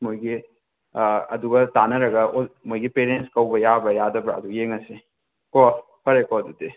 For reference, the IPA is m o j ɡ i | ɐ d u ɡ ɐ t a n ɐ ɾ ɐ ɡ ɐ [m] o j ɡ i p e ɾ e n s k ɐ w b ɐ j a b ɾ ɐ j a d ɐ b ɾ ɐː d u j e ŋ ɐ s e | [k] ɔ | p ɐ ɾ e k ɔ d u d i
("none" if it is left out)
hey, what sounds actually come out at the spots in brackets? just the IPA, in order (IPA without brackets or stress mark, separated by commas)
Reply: m, k